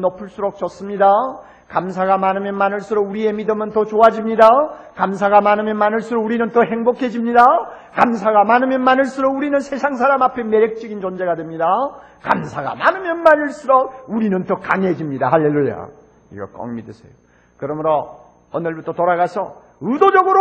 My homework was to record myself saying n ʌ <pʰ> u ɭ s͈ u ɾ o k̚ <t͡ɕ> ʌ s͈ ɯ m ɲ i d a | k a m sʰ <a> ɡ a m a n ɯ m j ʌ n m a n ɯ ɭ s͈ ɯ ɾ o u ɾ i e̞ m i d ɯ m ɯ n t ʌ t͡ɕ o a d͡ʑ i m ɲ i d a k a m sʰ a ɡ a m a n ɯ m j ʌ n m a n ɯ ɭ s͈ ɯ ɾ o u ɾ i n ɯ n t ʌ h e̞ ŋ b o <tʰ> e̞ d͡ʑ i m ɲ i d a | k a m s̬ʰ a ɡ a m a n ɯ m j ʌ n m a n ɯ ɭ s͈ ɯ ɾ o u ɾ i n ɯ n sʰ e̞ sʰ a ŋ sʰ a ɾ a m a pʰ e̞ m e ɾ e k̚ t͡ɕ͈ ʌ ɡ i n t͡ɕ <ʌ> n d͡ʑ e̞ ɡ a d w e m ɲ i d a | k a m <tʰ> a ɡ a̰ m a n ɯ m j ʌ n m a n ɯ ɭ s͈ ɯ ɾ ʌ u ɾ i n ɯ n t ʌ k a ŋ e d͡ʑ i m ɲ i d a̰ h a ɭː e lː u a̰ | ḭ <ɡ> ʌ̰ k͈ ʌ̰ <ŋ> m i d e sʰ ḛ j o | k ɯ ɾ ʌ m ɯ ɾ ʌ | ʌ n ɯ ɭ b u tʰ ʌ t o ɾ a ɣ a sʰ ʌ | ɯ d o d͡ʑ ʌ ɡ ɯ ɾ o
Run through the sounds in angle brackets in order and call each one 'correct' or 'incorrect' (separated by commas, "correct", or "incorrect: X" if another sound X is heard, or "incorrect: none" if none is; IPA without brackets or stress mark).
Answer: correct, correct, correct, incorrect: kʰ, correct, incorrect: sʰ, correct, correct